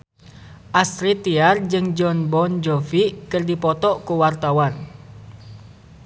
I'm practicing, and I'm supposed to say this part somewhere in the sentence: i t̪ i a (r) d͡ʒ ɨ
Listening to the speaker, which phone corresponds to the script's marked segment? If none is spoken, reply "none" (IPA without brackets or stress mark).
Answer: r